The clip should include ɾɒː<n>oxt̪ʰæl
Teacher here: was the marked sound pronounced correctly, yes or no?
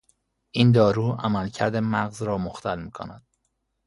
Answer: no